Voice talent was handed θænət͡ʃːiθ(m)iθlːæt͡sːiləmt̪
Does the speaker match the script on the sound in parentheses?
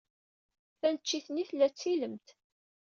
no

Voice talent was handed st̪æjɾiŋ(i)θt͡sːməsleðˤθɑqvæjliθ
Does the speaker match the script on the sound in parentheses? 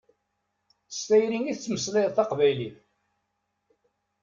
yes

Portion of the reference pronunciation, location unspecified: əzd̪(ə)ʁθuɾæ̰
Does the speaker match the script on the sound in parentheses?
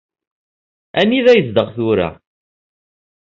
yes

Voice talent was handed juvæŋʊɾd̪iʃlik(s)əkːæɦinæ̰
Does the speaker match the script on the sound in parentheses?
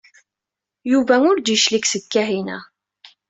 yes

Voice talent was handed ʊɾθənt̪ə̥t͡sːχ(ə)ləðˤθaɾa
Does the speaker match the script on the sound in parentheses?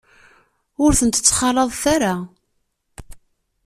no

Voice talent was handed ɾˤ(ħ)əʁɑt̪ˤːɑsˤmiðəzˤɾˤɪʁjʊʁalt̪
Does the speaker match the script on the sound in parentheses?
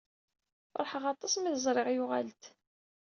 yes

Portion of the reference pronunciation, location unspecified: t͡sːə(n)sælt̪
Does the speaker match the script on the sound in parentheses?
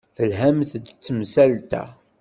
no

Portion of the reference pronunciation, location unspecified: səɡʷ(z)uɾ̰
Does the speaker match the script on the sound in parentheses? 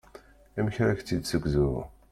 yes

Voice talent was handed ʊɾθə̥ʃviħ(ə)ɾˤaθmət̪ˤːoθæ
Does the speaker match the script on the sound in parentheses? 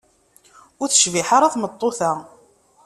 no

